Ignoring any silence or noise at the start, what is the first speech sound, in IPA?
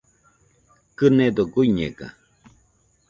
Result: k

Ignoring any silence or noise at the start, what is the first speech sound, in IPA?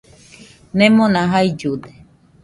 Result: n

